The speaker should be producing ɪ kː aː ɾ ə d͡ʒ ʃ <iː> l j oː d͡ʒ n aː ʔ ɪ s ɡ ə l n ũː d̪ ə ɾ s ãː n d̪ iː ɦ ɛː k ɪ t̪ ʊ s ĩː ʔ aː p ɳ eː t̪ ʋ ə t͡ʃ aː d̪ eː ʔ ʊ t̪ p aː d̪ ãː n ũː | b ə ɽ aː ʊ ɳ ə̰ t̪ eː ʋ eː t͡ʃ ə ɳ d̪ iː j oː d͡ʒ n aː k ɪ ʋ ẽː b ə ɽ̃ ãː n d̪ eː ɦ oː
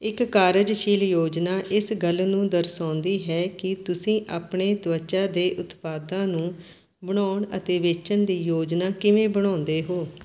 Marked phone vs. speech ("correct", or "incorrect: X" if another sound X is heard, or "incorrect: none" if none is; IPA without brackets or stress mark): correct